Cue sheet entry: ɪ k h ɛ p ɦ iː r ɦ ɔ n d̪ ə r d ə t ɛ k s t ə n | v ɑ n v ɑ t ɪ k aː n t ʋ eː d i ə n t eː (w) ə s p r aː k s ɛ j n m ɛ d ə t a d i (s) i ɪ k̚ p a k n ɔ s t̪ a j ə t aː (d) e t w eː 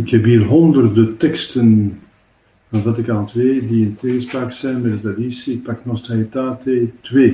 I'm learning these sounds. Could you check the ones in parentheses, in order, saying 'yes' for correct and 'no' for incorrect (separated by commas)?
no, yes, no